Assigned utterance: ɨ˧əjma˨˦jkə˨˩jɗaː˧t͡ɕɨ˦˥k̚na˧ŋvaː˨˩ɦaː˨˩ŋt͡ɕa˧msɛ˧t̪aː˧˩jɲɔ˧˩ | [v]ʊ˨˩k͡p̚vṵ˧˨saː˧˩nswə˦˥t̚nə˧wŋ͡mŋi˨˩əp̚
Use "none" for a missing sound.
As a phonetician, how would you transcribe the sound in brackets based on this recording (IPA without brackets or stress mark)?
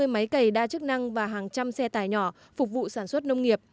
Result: f